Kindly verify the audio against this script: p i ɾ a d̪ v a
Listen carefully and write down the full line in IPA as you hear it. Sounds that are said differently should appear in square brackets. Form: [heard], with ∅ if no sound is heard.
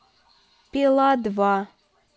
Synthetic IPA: p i [l] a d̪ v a